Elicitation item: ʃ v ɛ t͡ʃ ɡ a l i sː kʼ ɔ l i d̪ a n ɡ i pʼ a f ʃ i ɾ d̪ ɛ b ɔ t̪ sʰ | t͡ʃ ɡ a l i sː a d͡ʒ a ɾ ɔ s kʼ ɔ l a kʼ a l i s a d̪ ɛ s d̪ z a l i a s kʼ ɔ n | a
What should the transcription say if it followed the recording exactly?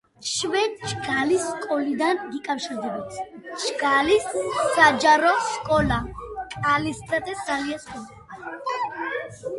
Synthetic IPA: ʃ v ɛ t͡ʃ ɡ a l i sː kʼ ɔ l i d̪ a n ɡ i kʼ a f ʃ i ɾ d̪ ɛ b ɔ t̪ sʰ | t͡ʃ ɡ a l i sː a d͡ʒ a ɾ ɔ s kʼ ɔ l a kʼ a l i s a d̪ ɛ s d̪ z a l i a s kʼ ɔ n | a